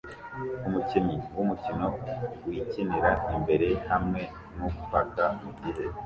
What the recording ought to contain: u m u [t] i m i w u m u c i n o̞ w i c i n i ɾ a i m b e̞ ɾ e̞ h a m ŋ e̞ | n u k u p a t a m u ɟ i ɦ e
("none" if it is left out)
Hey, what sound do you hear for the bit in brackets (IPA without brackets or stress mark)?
c